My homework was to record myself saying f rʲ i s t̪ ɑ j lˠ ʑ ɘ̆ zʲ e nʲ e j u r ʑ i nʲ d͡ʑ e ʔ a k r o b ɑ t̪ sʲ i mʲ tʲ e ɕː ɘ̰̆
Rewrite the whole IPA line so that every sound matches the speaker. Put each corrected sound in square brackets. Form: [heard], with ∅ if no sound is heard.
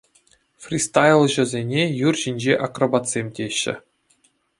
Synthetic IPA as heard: f rʲ i s t̪ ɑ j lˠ ʑ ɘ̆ zʲ e nʲ e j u r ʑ i nʲ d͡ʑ e ʔ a k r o b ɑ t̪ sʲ [e] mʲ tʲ e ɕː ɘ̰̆